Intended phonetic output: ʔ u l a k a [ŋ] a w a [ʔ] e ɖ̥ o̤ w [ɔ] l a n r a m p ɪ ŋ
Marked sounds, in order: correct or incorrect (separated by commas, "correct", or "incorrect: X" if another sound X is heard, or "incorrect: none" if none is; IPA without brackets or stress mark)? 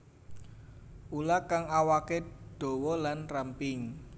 correct, incorrect: k, correct